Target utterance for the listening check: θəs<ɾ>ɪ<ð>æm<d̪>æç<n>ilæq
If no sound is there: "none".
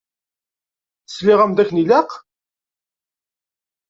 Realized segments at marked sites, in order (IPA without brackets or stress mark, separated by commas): l, ʁ, d̪, n